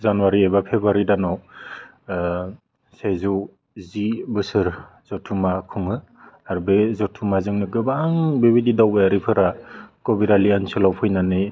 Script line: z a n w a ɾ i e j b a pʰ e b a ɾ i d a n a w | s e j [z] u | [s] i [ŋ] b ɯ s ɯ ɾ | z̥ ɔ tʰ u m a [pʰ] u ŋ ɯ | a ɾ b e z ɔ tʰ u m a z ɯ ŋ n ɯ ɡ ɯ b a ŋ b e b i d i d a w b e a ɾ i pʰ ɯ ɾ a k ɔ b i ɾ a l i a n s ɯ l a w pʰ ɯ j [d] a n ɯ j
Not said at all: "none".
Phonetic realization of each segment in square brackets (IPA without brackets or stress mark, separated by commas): z, z, none, kʰ, n